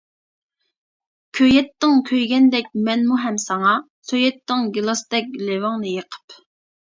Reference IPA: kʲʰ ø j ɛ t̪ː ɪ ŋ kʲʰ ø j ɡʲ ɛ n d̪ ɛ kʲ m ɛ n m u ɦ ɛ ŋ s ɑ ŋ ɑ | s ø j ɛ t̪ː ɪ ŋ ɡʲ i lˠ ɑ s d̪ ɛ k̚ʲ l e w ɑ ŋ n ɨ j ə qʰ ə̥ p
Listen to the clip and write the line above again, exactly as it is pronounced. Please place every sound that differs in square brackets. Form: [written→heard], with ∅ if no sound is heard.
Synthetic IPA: kʲʰ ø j ɛ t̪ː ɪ ŋ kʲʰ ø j ɡʲ ɛ n d̪ ɛ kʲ m ɛ n m u ɦ ɛ [ŋ→m] s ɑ ŋ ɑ | s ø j ɛ t̪ː ɪ ŋ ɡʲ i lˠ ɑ s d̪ ɛ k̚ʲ l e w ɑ ŋ n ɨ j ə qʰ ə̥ p